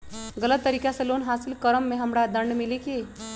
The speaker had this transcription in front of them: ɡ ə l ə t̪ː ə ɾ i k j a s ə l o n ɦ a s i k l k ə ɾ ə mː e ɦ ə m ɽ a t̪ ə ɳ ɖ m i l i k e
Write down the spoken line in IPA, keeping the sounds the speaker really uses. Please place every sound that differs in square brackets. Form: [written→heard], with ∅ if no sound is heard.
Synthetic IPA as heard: ɡ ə l ə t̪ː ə ɾ i k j a s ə l o n ɦ a s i [k→∅] l k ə ɾ ə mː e ɦ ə m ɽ a [t̪→d̪] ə ɳ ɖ m i l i k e